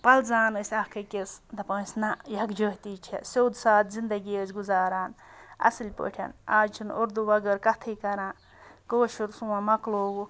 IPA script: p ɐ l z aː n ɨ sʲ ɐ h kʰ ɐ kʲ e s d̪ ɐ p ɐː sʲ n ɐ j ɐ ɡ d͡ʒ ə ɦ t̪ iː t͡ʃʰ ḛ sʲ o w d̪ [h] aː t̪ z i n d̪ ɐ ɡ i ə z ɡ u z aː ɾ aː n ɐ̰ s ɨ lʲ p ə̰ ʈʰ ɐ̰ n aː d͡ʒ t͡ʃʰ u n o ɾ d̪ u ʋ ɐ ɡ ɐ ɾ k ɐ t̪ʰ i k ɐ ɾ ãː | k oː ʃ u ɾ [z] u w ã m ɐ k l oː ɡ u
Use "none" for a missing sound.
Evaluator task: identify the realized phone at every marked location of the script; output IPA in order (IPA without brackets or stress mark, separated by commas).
s, s